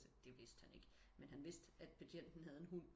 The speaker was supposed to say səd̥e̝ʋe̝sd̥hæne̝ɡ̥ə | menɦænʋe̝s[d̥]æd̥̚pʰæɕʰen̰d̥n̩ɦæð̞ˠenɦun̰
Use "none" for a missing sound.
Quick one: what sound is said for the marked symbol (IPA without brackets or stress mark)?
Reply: d̥